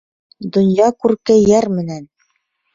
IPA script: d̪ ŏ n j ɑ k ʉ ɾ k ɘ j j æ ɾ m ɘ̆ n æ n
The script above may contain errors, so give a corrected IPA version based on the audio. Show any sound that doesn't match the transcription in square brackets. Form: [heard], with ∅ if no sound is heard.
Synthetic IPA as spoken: d̪ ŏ n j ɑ k ʉ ɾ k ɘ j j æ ɾ m ɘ̆ n æ n